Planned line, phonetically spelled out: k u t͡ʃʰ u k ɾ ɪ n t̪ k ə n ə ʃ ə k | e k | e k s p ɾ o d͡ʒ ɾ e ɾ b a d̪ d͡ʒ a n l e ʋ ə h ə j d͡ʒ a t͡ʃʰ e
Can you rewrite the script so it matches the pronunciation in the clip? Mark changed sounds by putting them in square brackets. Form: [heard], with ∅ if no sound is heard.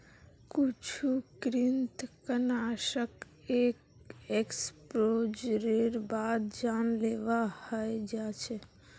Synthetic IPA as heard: k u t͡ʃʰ u k ɾ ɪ n t̪ k ə n [a] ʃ ə k | e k | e k s p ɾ o d͡ʒ ɾ e ɾ b a d̪ d͡ʒ a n l e ʋ [a] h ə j d͡ʒ a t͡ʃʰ e